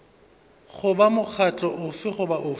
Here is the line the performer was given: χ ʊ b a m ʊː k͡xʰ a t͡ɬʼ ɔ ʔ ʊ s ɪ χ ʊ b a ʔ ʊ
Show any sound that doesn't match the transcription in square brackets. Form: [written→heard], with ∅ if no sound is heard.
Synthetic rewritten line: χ ʊ b a m [ʊː→ʊ] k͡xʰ a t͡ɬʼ ɔ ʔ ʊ [s→f] ɪ χ ʊ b a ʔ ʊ

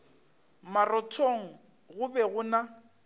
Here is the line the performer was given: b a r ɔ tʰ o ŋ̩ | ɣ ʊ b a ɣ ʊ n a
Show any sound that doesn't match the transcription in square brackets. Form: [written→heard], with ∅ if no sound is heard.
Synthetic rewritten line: [b→m] a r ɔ tʰ o ŋ̩ | ɣ ʊ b [a→ɛ] ɣ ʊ n a

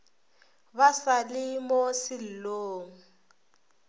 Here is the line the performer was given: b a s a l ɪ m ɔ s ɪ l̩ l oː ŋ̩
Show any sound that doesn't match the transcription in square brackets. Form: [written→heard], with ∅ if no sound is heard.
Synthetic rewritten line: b a s a l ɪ m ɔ s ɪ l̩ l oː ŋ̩

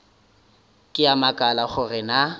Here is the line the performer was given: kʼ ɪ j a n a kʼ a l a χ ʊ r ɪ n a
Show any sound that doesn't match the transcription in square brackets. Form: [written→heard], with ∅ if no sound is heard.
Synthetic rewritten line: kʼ ɪ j a [n→m] a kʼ a l a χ ʊ r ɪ n a

